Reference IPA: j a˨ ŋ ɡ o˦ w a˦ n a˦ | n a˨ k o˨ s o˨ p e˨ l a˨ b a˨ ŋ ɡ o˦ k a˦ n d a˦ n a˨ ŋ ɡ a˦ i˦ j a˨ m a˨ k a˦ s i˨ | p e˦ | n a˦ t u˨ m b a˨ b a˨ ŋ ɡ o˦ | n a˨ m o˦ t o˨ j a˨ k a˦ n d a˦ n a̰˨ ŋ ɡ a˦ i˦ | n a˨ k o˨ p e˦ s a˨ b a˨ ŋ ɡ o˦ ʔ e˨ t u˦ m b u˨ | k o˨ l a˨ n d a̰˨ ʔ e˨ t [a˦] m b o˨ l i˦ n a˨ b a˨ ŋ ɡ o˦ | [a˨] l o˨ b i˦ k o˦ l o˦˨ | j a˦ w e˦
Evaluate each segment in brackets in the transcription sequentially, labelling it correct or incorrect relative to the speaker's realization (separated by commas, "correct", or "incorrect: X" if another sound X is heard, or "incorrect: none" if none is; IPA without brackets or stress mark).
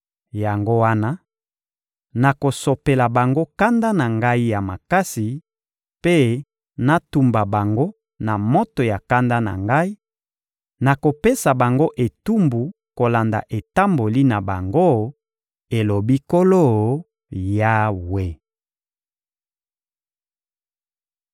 correct, incorrect: e˨